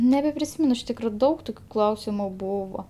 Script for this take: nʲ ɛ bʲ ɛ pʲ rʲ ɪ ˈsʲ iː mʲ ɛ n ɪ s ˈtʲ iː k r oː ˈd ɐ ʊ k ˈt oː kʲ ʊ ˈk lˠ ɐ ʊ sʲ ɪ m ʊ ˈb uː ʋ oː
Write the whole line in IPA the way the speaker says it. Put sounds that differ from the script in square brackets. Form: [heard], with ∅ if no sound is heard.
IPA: nʲ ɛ bʲ ɛ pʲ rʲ ɪ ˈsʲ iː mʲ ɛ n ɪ [ʃ] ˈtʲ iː k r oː ˈd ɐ ʊ k ˈt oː kʲ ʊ ˈk lˠ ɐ ʊ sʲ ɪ m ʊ ˈb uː ʋ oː